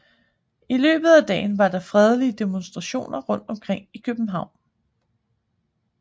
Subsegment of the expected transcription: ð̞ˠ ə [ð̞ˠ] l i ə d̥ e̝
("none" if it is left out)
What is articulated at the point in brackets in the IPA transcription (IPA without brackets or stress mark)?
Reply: none